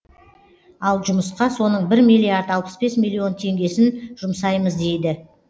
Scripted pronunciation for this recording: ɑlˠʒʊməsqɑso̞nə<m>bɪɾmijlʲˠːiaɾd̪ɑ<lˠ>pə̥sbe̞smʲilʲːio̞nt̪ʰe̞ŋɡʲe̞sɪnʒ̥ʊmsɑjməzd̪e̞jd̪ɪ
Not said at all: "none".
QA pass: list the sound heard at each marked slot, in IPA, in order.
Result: ɴ, lˠ

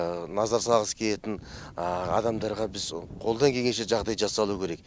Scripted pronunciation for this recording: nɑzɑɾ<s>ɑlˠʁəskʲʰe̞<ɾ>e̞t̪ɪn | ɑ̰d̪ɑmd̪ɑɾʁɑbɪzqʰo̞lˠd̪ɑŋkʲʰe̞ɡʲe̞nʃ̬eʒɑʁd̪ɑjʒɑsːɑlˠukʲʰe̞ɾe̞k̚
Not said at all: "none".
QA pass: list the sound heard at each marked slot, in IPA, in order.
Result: s, l

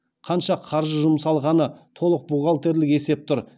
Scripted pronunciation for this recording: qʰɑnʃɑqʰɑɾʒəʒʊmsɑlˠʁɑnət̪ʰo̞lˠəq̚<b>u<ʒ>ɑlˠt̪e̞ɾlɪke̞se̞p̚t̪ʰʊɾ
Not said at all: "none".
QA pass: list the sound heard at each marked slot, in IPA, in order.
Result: b, ʁ

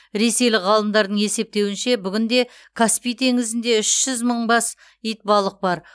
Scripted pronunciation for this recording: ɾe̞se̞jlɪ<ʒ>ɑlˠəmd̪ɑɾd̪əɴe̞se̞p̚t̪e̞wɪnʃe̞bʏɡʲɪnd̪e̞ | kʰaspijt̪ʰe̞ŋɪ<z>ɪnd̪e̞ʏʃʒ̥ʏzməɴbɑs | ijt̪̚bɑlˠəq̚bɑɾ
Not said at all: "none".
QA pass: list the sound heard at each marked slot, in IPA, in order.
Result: ʁ, z

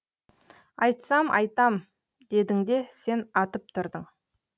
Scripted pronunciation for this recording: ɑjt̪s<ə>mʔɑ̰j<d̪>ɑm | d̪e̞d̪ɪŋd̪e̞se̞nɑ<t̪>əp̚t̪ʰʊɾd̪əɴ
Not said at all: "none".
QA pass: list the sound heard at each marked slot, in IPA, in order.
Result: ɑ, t̪, t̪

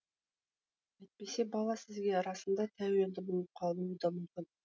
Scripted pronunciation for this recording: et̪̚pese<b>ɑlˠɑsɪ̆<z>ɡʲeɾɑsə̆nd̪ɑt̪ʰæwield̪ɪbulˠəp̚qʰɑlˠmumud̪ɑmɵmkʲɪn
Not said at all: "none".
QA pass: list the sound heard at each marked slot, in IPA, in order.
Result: b, z

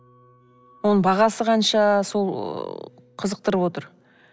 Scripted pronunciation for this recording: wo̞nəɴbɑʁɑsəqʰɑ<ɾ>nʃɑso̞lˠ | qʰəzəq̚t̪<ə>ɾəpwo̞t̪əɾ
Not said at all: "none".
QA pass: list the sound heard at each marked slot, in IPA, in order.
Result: none, ə

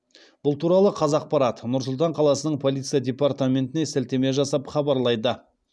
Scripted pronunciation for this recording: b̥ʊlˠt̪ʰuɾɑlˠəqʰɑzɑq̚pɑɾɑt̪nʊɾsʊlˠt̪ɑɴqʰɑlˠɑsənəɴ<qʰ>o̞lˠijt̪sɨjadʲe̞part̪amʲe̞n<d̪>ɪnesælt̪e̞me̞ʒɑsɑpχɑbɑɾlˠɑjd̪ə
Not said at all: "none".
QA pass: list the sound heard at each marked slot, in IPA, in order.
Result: pʰ, t̪

